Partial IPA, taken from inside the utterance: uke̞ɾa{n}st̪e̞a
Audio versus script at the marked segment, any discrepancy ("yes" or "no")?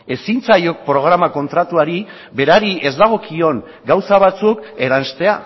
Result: no